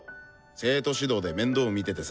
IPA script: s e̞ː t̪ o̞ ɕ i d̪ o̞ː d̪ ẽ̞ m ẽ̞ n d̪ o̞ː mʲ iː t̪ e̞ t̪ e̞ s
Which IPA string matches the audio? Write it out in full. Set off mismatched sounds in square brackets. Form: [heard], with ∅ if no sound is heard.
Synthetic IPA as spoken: s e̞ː t̪ o̞ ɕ i d̪ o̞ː d̪ [e̞] m ẽ̞ n d̪ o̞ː mʲ [i] t̪ e̞ t̪ e̞ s